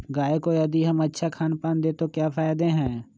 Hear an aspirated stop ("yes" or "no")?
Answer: yes